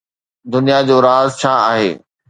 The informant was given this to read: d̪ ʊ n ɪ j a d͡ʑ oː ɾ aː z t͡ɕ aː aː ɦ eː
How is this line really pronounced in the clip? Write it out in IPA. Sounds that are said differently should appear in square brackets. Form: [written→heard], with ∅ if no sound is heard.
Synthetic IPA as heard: d̪ ʊ n [ɪ→i] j a d͡ʑ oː ɾ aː z [t͡ɕ→t͡ɕʰ] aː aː ɦ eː